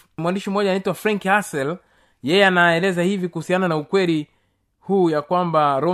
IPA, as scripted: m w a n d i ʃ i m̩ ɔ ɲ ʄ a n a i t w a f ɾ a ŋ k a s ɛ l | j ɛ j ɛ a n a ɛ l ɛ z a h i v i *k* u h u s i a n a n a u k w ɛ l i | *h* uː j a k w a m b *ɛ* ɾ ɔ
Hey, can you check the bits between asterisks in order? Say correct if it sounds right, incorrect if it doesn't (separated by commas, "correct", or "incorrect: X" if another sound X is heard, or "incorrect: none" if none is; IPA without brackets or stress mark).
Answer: correct, correct, incorrect: a